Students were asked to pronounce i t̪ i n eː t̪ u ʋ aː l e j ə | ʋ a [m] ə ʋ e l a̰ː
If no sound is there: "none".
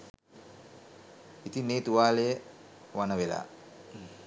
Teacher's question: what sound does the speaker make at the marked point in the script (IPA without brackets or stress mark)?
n